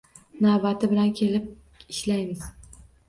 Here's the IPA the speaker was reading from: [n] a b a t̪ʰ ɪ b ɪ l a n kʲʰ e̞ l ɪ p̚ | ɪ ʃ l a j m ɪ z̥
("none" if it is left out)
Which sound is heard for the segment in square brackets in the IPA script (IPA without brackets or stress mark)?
n